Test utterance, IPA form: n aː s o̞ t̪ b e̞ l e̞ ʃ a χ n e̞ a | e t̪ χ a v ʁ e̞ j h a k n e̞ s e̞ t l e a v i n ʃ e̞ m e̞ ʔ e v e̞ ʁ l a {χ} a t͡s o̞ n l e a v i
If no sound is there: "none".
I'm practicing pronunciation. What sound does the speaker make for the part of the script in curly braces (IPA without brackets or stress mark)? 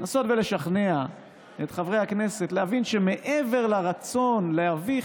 ʁ